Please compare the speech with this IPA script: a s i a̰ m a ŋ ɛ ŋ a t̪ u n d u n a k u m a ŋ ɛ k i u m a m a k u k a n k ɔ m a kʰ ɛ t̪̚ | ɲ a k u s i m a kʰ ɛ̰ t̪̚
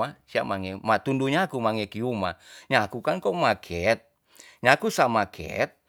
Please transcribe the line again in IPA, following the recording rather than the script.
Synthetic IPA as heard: a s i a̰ m a ŋ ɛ m a t̪ u n d u ɲ a k u m a ŋ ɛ k i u m a ɲ a k u k a n k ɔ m a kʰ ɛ t̪̚ | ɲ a k u s a m a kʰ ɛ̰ t̪̚